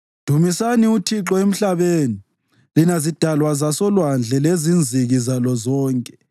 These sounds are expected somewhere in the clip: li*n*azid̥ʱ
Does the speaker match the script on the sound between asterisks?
yes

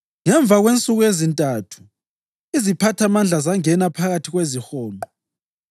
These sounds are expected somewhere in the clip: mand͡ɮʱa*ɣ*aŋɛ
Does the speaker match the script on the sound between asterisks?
no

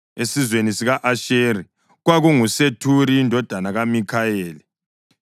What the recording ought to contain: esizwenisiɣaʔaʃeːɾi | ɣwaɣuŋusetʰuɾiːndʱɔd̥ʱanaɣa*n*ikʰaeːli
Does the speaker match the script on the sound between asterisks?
no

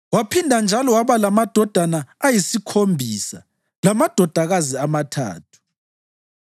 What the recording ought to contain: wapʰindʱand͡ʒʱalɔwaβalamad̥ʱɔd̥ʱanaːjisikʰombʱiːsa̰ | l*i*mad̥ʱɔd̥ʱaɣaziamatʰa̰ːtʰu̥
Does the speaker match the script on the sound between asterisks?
no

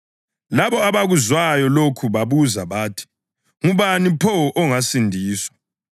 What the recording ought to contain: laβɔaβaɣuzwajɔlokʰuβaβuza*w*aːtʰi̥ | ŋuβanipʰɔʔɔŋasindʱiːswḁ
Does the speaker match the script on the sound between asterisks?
no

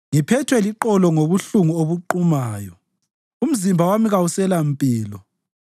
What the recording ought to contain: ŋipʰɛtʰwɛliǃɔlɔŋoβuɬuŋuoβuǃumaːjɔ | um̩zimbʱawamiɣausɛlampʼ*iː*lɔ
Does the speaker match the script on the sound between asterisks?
yes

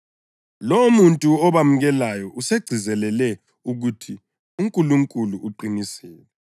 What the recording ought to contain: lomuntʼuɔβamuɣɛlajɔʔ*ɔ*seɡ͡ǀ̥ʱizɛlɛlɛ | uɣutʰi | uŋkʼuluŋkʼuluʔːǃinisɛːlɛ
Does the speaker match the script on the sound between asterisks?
no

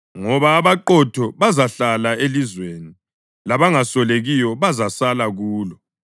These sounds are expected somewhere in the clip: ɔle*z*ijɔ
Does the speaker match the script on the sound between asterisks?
no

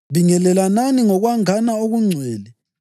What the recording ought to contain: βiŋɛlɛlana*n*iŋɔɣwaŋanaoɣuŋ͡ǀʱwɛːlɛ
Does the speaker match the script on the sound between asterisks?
yes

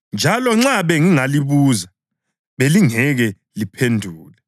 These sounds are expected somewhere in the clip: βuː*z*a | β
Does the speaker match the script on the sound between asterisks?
yes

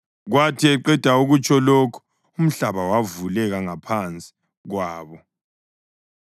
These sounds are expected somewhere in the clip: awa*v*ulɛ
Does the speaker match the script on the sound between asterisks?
yes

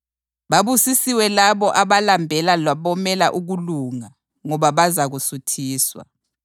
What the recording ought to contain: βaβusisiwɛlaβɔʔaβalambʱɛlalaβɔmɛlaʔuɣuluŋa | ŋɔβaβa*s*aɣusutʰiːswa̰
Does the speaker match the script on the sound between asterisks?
no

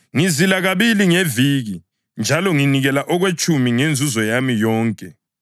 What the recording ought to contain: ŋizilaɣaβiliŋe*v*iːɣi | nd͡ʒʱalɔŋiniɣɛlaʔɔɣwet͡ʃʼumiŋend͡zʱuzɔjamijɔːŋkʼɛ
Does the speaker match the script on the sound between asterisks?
yes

